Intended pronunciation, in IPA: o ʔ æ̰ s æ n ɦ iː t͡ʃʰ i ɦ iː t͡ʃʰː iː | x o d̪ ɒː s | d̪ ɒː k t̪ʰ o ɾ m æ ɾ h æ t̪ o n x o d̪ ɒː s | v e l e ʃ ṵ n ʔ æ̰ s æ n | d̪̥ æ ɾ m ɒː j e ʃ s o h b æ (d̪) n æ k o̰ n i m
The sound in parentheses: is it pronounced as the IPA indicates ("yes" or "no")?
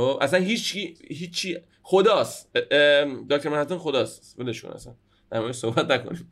no